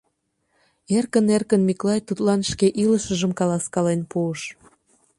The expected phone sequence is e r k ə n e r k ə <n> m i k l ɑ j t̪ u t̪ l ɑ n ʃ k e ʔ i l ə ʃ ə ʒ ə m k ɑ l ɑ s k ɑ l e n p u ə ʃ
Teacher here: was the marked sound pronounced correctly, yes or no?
yes